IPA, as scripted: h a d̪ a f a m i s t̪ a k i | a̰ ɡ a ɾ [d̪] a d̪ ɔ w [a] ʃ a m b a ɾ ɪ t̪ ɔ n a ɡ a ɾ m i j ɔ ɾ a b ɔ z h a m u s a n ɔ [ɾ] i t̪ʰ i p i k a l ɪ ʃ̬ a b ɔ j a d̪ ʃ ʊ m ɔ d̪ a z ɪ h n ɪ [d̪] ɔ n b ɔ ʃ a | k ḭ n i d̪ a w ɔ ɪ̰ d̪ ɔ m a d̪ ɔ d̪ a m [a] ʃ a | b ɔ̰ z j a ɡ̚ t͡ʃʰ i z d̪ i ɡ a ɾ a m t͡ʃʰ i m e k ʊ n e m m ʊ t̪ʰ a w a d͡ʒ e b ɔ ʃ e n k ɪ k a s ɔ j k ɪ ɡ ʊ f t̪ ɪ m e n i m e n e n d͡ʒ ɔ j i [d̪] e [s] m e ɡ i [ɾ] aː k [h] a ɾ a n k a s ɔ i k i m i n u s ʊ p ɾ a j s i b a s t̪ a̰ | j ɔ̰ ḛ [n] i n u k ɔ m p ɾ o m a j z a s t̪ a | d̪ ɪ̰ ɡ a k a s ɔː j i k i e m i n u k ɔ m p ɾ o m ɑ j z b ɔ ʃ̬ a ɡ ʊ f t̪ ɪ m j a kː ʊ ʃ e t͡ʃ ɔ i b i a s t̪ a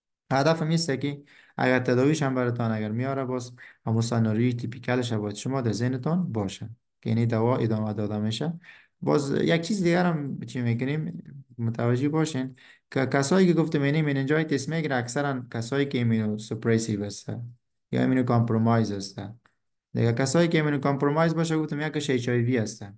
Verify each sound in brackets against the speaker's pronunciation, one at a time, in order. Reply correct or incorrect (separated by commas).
incorrect, incorrect, correct, incorrect, incorrect, incorrect, correct, correct, incorrect, incorrect